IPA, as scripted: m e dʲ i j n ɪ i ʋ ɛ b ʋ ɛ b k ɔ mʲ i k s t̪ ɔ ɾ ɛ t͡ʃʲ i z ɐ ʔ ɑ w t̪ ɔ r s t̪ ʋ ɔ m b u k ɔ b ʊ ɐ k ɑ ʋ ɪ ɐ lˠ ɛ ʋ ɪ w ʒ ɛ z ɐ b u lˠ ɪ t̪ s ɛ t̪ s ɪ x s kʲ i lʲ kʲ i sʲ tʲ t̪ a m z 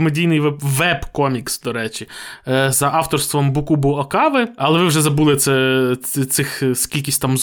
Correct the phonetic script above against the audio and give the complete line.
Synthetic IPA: m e dʲ i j n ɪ j ʋ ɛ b ʋ ɛ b k ɔ mʲ i k s d̪ ɔ ɾ ɛ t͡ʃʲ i z ɐ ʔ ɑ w t̪ ɔ r s t̪ ʋ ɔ m b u k u b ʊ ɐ k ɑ ʋ ɪ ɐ lˠ ɛ ʋ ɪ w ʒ ɛ z ɐ b u lˠ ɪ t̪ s ɛ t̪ s ɪ x s kʲ i lʲ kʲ i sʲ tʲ t̪ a m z